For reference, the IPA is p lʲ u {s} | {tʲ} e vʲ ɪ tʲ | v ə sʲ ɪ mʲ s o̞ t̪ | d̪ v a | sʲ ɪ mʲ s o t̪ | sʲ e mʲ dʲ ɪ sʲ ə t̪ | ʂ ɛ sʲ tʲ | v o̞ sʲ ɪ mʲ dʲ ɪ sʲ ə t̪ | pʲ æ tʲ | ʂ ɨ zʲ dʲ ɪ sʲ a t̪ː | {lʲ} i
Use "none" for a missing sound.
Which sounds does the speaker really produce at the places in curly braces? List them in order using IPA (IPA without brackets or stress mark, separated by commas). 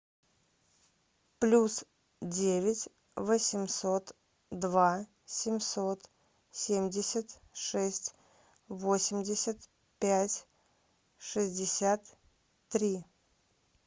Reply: s, dʲ, ɾʲ